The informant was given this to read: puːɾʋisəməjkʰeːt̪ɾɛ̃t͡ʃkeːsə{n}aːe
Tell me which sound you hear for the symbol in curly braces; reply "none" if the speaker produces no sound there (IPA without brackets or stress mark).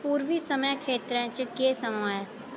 m